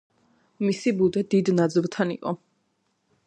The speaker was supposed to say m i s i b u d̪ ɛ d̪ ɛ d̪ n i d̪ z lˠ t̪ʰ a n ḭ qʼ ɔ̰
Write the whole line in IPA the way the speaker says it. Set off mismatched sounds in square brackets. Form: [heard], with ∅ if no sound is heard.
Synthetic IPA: m i s i b u d̪ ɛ d̪ [i] d̪ n [a] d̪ z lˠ t̪ʰ a n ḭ qʼ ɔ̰